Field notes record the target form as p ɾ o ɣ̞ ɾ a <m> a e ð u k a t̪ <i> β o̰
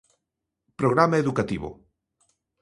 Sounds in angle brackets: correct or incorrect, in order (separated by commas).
correct, correct